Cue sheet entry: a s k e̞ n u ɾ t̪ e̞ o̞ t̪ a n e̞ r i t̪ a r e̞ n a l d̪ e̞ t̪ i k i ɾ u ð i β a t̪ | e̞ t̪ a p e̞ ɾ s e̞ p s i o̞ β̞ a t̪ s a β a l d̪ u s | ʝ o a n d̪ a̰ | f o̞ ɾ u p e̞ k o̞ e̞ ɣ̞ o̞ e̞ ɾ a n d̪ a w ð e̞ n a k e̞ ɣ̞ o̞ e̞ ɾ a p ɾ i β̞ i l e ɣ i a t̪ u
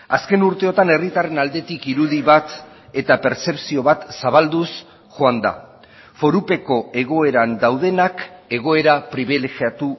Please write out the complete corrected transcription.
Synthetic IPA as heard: a s k e̞ n u ɾ t̪ e̞ o̞ t̪ a n e̞ r i t̪ a r e̞ n a l d̪ e̞ t̪ i k i ɾ u ð i β a t̪ | e̞ t̪ a p e̞ ɾ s e̞ p s i o̞ β̞ a t̪ s a β a l d̪ u s | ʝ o a n d̪ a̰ | f o̞ ɾ u p e̞ k o̞ e̞ ɣ̞ o̞ e̞ ɾ a n d̪ a w ð e̞ n a k e̞ ɣ̞ o̞ e̞ ɾ a p ɾ i β̞ i l e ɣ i a t̪ u